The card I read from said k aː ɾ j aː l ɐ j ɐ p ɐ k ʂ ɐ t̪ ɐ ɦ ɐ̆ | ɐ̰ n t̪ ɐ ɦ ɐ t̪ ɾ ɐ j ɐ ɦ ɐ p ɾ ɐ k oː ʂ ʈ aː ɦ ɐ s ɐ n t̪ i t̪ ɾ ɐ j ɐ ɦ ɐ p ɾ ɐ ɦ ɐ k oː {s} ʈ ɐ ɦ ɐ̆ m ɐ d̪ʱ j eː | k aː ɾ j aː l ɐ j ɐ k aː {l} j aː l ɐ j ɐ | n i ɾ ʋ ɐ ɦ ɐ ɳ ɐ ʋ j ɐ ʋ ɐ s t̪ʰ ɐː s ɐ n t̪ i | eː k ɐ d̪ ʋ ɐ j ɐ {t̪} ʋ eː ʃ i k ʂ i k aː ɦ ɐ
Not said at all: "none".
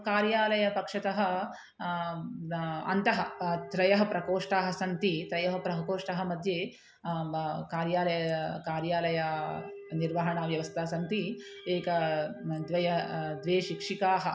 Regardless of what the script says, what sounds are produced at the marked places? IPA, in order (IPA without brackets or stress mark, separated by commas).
ʂ, ɾ, d̪